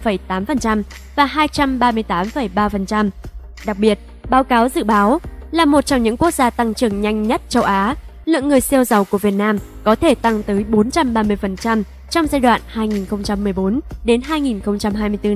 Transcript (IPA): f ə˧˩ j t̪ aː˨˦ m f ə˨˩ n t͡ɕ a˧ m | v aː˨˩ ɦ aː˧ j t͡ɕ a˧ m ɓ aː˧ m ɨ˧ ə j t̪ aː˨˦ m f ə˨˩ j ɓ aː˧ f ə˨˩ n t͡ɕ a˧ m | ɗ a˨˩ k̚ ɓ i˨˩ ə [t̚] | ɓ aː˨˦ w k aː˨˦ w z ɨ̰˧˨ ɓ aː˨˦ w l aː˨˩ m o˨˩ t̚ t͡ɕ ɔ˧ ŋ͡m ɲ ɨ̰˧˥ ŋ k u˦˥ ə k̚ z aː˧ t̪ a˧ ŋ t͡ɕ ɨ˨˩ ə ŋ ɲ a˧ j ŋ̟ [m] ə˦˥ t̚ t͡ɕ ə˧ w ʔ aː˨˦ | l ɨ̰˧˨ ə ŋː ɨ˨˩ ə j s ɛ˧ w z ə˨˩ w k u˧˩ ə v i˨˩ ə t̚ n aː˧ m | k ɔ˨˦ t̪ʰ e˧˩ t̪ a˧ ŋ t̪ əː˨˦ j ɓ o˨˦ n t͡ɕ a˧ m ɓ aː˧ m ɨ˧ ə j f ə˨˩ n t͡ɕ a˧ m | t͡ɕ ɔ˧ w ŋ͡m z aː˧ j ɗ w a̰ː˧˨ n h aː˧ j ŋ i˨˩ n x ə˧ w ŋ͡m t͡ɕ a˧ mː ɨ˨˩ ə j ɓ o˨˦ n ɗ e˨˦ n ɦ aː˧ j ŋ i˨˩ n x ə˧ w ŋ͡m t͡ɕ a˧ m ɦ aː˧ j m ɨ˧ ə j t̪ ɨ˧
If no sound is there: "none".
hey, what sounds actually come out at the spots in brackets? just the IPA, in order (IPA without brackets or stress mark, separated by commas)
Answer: t̚, ɲ